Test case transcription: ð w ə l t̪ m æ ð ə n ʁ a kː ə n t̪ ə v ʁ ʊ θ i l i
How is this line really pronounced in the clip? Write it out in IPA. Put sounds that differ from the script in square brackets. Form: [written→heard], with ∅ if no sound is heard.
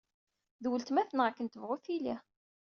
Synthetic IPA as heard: ð w ə l t̪ m æ [ð→θ] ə n ʁ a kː ə n t̪ ə v ʁ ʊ θ i l i

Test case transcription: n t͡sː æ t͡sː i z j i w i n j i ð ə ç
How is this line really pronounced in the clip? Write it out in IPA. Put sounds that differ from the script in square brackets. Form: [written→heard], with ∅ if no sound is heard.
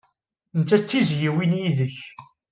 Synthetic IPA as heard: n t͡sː æ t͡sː i z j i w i n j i ð ə ç

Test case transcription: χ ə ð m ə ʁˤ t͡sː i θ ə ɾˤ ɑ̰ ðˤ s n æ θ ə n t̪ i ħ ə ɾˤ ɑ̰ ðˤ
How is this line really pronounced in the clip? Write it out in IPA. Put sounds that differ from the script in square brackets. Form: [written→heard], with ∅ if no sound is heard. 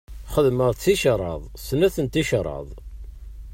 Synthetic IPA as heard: χ ə ð m ə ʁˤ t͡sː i [θ→ʃ] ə ɾˤ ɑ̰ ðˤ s n æ θ ə n t̪ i [ħ→ʃ] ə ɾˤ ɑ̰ ðˤ

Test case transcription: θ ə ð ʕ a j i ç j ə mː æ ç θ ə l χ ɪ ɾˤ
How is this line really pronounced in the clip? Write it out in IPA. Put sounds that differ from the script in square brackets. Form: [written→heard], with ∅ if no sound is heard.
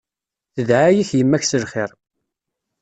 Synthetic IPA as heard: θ ə ð ʕ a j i ç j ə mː æ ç [θ→s] ə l χ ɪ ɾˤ

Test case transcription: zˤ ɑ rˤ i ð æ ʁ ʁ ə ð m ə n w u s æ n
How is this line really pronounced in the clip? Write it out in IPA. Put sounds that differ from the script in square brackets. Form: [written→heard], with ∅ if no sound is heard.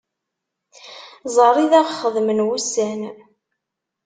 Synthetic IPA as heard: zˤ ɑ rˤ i ð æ ʁ [ʁ→χ] ə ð m ə n w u s æ n

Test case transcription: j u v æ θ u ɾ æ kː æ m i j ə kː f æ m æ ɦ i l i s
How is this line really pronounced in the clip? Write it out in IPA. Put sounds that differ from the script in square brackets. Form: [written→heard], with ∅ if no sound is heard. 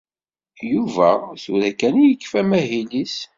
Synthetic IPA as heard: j u v æ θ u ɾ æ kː æ [m→n] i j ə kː f æ m æ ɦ i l i s

